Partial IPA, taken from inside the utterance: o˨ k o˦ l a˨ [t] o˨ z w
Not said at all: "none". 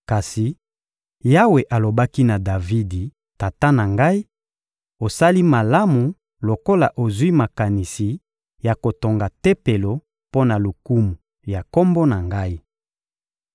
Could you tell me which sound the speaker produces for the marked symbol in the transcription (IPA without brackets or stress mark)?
ʔ